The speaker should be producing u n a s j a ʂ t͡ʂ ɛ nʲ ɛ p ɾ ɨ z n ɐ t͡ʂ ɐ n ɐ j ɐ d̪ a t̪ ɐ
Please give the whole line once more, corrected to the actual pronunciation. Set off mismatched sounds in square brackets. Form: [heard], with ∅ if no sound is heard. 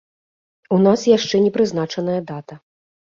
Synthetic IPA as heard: u n a s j a ʂ t͡ʂ ɛ nʲ ɛ p ɾ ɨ z n [a] t͡ʂ ɐ n ɐ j ɐ d̪ a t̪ ɐ

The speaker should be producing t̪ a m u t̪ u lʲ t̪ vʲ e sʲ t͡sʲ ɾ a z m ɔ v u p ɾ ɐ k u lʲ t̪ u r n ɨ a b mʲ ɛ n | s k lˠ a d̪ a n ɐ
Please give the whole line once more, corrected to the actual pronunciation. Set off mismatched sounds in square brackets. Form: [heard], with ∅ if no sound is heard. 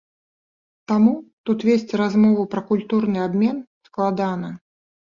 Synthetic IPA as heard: t̪ a m u t̪ u [∅] t̪ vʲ e sʲ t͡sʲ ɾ a z m ɔ v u p ɾ ɐ k u lʲ t̪ u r n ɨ a b mʲ ɛ n | s k lˠ a d̪ a n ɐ

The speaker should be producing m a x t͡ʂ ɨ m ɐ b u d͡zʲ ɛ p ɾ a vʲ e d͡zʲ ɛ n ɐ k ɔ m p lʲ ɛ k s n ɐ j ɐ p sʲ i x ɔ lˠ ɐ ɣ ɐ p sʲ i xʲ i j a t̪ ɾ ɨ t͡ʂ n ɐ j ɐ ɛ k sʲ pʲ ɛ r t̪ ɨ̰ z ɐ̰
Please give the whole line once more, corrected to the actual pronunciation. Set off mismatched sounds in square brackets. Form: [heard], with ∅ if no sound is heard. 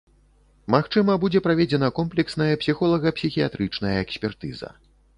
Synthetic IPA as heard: m a x t͡ʂ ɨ m ɐ b u d͡zʲ ɛ p ɾ a vʲ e d͡zʲ ɛ n ɐ k ɔ m p lʲ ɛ k s n ɐ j ɐ p sʲ i x ɔ lˠ ɐ ɣ ɐ p sʲ i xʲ i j a t̪ ɾ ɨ t͡ʂ n ɐ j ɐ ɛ k sʲ pʲ ɛ r t̪ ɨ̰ z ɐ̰

